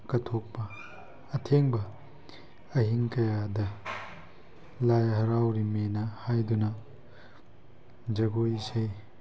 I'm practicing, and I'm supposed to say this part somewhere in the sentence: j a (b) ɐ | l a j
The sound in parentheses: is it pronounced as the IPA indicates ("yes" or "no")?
no